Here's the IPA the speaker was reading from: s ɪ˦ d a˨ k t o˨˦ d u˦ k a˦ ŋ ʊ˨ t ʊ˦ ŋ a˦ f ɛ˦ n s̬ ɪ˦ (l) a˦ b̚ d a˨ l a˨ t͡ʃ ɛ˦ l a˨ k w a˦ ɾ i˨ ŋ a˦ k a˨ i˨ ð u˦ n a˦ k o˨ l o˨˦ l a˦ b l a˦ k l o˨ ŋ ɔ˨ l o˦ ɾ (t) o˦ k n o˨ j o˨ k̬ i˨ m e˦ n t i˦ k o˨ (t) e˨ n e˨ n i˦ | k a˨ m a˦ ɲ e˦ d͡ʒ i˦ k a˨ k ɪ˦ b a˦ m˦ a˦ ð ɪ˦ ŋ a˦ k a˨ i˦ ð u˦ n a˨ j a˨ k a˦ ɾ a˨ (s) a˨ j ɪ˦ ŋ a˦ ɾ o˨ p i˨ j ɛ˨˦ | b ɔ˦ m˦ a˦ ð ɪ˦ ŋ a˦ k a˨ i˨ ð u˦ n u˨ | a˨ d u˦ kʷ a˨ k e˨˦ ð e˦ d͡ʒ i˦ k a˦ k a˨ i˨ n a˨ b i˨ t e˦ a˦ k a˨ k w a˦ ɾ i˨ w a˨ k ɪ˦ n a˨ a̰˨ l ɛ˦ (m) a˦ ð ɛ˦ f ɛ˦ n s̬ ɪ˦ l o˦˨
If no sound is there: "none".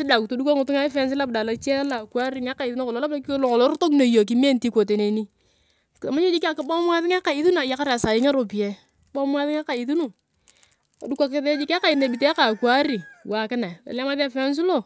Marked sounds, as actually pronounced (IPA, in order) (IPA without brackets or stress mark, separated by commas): l, t, t, s, m